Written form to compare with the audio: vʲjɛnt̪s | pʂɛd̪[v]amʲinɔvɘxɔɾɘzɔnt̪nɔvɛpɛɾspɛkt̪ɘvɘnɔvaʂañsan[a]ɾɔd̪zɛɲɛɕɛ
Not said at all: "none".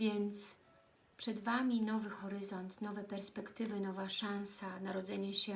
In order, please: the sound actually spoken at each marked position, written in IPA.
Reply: v, a

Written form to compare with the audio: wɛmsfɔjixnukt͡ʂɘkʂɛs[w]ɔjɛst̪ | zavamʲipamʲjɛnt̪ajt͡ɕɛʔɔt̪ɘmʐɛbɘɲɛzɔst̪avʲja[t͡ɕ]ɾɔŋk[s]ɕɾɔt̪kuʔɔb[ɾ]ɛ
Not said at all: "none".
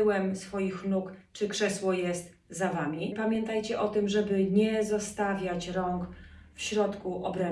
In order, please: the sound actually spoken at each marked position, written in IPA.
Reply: w, t͡ɕ, f, ɾ

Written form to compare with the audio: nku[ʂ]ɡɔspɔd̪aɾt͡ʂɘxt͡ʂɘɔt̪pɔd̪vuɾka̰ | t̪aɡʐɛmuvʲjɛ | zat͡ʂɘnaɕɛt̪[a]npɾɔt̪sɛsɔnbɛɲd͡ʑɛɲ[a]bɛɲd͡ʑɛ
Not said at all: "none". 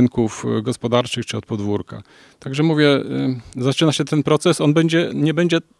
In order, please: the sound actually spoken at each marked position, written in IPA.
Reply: f, ɛ, ɛ

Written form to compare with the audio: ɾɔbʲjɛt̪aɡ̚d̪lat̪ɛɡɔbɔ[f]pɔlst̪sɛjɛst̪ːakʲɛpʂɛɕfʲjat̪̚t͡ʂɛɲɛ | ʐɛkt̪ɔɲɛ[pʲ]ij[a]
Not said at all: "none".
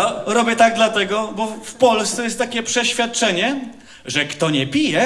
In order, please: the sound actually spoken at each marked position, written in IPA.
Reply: f, pʲ, ɛ

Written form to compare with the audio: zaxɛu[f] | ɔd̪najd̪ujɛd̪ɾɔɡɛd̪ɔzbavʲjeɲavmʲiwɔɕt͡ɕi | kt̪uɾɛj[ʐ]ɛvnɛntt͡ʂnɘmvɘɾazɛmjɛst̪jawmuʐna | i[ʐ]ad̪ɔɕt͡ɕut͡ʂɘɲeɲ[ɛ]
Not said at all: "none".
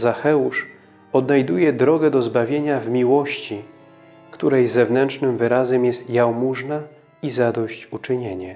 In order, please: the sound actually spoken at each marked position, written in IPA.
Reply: ʂ, z, z, ɛ

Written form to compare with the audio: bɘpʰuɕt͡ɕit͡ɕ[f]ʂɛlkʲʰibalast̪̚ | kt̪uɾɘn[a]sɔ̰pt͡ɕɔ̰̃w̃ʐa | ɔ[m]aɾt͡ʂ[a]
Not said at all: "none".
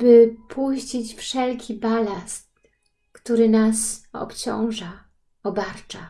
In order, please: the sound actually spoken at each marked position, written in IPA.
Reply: f, a, b, a

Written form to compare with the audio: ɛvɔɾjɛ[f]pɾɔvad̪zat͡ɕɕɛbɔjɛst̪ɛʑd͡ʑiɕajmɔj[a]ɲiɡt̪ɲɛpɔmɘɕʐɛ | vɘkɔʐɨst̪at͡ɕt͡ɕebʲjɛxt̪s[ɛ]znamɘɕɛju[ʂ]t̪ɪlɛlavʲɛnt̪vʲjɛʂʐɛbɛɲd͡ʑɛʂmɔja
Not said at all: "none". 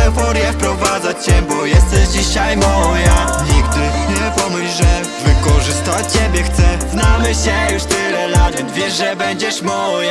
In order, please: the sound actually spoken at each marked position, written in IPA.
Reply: f, a, ɛ, ʂ

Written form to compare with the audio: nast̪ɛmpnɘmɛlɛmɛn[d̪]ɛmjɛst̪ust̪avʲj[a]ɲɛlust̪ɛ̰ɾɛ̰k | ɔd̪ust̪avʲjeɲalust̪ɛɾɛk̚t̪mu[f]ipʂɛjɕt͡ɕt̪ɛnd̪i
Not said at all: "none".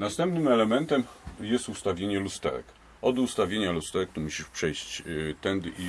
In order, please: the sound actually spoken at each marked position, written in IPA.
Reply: t̪, e, ɕ

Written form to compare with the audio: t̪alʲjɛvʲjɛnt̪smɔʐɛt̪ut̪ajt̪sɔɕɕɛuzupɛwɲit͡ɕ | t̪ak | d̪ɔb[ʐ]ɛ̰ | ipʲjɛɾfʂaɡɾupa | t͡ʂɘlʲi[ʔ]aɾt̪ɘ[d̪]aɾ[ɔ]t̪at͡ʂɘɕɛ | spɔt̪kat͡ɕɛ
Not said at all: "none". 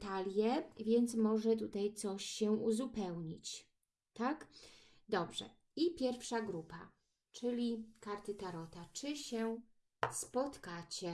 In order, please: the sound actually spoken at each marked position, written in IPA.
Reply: ʐ, k, t̪, ɔ

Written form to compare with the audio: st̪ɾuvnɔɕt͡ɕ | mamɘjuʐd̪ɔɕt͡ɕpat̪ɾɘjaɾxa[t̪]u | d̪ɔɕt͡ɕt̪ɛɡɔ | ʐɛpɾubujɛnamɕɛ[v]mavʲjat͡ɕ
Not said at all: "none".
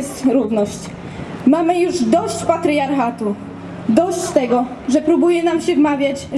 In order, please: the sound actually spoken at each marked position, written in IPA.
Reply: t̪, v

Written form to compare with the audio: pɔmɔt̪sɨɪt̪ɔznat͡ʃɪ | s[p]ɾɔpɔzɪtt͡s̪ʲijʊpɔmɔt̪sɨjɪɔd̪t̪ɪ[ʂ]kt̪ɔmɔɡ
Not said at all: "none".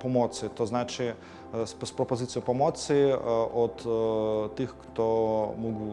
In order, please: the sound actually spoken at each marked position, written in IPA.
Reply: p, x

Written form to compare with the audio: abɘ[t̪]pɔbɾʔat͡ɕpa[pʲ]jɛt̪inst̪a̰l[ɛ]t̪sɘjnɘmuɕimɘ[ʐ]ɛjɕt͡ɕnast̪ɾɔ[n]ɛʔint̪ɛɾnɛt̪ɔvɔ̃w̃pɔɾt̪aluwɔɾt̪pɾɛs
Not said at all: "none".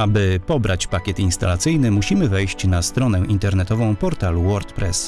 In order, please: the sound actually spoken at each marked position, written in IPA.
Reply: none, kʲ, a, v, n

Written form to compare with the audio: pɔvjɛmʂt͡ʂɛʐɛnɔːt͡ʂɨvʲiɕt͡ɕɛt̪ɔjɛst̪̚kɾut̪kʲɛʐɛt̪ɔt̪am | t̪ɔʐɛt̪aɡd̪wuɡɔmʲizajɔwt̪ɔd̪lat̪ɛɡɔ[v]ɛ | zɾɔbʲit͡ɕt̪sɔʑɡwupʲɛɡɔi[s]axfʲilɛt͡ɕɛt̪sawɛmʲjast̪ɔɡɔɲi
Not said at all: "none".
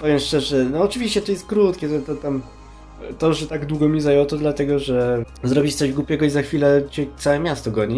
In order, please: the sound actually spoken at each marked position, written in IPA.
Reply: ʐ, z

